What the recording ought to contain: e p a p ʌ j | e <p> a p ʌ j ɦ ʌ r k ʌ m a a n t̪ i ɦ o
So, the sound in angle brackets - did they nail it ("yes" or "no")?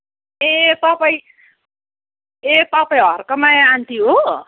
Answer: yes